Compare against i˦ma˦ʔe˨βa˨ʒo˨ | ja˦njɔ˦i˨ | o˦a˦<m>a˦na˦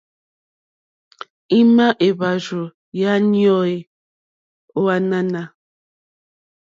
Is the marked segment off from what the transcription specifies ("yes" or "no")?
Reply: yes